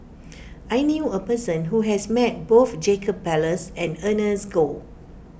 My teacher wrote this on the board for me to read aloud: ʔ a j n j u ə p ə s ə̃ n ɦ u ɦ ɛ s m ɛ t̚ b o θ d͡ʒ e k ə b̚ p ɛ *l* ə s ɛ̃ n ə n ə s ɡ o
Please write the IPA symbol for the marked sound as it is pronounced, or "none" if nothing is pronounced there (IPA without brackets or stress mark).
l